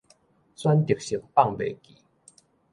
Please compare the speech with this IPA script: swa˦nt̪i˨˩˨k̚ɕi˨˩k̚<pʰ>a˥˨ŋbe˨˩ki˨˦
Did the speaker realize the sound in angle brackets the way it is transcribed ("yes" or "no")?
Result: no